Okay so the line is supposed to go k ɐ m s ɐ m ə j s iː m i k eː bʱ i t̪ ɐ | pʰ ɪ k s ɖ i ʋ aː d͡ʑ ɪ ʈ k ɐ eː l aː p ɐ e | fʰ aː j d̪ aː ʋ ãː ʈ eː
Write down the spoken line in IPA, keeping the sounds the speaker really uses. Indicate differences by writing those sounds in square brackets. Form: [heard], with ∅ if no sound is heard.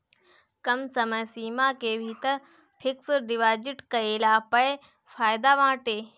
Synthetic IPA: k ɐ m s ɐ m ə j s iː m [a] k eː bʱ i t̪ ɐ | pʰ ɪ k s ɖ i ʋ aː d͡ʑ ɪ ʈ k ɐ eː l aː p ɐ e | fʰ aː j d̪ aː ʋ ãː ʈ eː